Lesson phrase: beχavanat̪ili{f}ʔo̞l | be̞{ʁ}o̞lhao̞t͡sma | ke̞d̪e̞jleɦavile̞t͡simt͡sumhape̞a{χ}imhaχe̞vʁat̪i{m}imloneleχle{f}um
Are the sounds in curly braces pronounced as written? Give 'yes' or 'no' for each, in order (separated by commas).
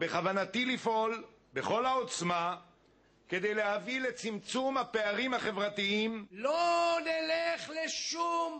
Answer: yes, no, no, no, no